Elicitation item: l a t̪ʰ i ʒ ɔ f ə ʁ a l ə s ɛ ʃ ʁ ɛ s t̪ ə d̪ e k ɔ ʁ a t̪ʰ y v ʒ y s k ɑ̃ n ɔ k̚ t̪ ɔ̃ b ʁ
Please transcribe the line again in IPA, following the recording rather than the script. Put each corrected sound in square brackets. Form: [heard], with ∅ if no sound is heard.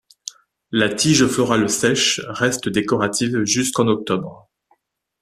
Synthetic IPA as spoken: l a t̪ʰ i ʒ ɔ f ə ʁ a l ə s ɛ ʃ ʁ ɛ s t̪ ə d̪ e k ɔ ʁ a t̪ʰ [i] v ʒ y s k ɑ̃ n ɔ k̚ t̪ [ɔ] b ʁ